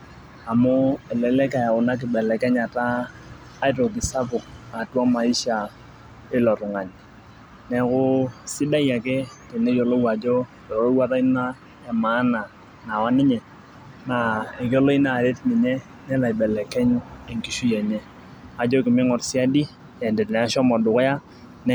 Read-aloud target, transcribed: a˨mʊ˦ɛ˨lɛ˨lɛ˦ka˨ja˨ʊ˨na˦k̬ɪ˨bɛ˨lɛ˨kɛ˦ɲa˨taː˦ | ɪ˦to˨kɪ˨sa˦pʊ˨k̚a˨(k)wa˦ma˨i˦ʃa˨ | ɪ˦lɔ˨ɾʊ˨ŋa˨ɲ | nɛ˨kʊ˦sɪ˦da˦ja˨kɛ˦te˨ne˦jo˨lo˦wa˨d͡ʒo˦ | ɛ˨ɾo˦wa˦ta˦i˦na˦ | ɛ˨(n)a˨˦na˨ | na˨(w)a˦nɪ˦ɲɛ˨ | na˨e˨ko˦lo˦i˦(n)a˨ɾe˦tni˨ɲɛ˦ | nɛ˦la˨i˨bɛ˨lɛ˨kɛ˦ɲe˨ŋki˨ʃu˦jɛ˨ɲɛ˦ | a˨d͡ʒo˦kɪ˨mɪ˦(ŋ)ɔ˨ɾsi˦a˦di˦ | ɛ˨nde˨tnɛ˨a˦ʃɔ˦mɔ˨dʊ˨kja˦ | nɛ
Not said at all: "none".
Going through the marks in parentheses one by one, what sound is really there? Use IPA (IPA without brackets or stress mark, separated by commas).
t, m, w, n, ŋ